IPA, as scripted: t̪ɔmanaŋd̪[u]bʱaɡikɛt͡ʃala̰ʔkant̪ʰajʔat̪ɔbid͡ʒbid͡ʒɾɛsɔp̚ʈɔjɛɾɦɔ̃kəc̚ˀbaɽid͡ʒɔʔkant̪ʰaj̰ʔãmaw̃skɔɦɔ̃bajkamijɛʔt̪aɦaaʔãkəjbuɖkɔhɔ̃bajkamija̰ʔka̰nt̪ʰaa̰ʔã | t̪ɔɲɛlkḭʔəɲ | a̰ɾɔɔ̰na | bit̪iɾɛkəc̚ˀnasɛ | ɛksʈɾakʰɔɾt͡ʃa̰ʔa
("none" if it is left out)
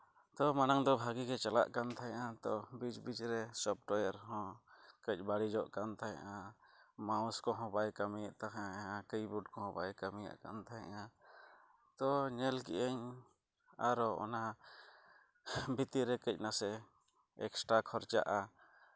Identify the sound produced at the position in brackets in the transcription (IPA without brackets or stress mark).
ɔ